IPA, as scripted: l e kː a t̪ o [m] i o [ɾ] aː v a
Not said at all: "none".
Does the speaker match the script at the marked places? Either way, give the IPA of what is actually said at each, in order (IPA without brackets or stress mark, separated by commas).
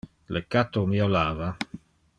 m, l